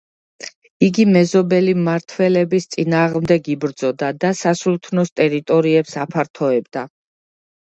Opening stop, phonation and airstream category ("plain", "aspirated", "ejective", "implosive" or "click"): plain